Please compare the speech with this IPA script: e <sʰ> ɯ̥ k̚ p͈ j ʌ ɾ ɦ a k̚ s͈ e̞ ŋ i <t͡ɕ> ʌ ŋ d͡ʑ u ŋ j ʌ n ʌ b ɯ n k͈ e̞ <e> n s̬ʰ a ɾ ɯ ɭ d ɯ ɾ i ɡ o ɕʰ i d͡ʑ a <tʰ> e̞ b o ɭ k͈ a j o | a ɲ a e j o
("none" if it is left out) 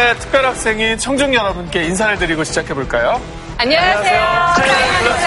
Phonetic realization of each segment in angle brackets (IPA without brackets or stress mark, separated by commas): tʰ, t͡ɕʰ, i, kʰ